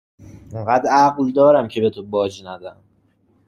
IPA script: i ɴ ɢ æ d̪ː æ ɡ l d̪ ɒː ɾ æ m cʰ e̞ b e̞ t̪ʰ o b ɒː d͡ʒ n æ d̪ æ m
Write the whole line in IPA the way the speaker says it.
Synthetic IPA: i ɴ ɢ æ d̪ æ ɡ l d̪ ɒː ɾ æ m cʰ e̞ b e̞ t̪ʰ o b ɒː d͡ʒ n æ d̪ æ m